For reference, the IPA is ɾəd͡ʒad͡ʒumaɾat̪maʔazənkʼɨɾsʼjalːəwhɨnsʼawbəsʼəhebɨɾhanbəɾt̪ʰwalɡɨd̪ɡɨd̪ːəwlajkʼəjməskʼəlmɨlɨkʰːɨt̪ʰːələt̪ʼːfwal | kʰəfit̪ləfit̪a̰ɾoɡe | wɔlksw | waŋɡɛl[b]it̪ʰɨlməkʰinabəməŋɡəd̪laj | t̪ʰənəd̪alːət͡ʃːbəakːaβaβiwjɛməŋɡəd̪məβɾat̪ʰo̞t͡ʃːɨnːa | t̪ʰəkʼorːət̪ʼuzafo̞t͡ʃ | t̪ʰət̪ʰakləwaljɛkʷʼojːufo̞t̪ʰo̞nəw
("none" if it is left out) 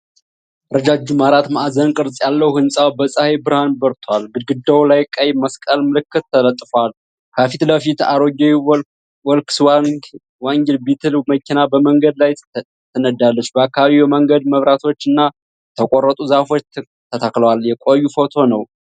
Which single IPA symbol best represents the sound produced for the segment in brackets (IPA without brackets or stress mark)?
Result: b